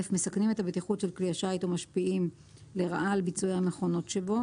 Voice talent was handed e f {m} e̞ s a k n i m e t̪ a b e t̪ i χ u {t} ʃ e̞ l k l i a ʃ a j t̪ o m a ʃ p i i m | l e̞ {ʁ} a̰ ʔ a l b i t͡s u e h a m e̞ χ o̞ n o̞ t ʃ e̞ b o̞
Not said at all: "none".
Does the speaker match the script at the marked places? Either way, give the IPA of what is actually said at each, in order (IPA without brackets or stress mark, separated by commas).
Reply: m, t, ʁ